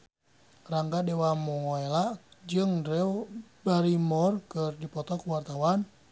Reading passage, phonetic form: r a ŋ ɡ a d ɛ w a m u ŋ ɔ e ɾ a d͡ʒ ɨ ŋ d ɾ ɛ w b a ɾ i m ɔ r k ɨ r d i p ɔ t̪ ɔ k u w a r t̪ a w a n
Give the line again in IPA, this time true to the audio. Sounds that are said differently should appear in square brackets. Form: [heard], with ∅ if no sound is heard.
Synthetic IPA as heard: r a ŋ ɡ a d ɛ w a m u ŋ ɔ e [l] a d͡ʒ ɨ ŋ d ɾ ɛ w b a ɾ i m ɔ r k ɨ r d i p ɔ t̪ ɔ k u w a r t̪ a w a n